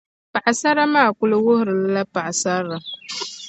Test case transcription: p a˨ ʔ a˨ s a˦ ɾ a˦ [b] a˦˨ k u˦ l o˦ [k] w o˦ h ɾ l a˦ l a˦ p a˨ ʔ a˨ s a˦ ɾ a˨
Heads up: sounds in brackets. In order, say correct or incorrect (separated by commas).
incorrect, incorrect